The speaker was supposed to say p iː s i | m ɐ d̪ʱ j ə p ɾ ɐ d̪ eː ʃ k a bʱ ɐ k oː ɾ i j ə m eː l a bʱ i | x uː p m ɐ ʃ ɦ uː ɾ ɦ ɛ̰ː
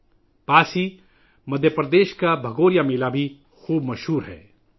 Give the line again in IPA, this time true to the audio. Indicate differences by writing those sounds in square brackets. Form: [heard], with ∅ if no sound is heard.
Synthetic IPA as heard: p [aː] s i | m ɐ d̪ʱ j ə p ɾ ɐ d̪ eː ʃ k a bʱ ɐ [ɡ] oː ɾ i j [a] m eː l a bʱ i | x uː [b] m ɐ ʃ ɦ uː ɾ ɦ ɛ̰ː